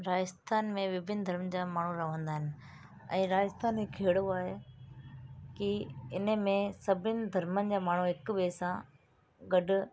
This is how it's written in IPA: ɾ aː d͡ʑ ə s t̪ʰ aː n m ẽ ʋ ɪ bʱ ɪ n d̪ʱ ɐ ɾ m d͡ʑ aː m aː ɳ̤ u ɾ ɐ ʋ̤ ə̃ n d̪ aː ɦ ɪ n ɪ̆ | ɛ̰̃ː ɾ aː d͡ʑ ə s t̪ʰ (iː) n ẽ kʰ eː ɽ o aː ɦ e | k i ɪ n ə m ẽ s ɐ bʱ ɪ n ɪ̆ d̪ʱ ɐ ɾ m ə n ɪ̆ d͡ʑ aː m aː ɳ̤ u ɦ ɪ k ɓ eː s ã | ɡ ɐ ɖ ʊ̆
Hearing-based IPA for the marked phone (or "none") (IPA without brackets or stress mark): aː